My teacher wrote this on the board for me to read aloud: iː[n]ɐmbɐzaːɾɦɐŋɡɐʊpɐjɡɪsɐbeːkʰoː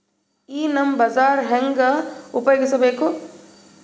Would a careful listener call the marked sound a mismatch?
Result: no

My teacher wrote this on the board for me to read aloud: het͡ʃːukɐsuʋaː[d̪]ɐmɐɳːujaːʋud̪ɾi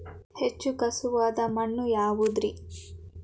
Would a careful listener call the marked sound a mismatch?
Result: no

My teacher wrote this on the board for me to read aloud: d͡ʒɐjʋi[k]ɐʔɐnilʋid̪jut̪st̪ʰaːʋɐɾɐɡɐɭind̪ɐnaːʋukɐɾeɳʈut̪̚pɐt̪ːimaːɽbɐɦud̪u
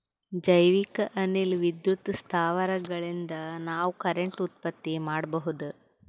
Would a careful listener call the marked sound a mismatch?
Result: no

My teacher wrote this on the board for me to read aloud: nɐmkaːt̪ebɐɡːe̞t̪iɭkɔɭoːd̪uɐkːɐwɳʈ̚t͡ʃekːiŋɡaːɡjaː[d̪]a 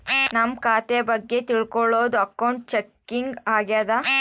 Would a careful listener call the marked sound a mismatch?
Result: no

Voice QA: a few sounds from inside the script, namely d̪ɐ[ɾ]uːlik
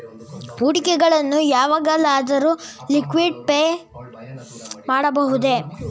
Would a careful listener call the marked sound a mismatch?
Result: no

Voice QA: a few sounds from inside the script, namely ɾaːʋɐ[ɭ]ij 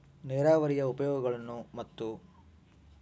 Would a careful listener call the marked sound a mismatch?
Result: yes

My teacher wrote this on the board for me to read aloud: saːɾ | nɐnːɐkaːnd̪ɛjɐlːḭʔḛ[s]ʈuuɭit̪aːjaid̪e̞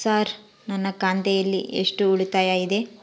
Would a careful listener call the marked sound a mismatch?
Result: yes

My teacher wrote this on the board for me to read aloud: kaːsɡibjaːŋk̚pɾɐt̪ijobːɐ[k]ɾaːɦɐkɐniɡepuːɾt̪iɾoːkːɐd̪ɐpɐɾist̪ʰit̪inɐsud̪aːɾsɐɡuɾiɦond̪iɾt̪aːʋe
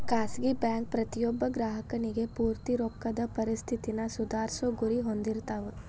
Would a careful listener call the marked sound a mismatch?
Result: yes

